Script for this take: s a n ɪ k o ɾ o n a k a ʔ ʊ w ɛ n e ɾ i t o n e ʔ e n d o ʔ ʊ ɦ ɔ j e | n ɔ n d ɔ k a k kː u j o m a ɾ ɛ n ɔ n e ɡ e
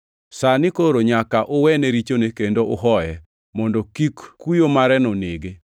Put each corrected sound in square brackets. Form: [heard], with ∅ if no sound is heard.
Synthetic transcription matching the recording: s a n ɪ k o ɾ o [ɲ] a k a ʔ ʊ w ɛ n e ɾ i [t͡ʃ] o n e [k] e n d o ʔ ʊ ɦ ɔ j [ɛ] | [m] ɔ n d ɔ k [i] k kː u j o m a ɾ ɛ n ɔ n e ɡ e